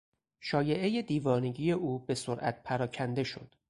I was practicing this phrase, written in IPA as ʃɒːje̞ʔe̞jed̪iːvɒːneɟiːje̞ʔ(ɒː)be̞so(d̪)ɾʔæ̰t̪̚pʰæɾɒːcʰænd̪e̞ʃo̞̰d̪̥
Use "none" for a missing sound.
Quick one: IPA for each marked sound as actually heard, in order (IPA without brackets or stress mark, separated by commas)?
uː, none